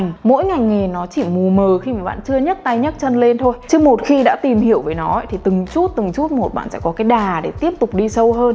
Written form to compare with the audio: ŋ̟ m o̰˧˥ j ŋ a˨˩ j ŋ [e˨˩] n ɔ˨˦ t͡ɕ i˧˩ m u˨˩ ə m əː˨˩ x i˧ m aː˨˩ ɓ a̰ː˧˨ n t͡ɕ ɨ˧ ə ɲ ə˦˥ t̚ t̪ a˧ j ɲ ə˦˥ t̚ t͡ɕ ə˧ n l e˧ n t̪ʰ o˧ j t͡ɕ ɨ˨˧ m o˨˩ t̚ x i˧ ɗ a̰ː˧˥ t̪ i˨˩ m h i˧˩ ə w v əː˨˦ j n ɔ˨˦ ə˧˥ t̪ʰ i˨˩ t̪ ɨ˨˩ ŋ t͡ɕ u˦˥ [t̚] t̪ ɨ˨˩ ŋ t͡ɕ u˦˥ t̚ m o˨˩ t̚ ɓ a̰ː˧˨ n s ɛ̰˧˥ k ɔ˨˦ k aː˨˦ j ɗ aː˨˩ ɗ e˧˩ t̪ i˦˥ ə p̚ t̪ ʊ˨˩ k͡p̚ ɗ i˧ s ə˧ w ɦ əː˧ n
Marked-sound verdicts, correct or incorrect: correct, correct

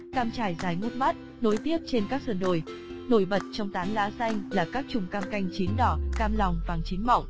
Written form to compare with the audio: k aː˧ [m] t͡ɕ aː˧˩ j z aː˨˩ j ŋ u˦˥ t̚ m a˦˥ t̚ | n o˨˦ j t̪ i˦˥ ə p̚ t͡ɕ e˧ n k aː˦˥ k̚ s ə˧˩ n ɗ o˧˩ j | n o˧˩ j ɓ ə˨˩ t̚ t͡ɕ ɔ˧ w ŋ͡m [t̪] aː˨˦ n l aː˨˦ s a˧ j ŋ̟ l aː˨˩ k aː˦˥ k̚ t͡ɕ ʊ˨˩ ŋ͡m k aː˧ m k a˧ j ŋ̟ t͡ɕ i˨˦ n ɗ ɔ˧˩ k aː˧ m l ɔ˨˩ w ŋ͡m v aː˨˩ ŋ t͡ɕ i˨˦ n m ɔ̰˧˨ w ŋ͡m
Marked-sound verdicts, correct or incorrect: correct, correct

